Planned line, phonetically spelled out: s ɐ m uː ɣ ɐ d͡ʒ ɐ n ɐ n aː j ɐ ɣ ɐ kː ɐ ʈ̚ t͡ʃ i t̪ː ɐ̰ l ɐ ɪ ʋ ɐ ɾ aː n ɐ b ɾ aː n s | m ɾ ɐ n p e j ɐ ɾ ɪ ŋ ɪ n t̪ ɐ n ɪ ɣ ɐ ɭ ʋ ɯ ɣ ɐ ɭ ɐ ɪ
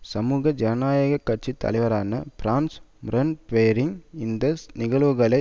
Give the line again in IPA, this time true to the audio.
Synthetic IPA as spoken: s ɐ m uː ɣ ɐ d͡ʒ ɐ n ɐ n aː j ɐ ɣ ɐ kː ɐ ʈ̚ t͡ʃ i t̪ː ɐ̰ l ɐ ɪ ʋ ɐ ɾ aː n ɐ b ɾ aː n s | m ɾ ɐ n p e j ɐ ɾ ɪ ŋ ɪ n d̪ ɐ n ɪ ɣ ɐ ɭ ʋ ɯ ɣ ɐ ɭ ɐ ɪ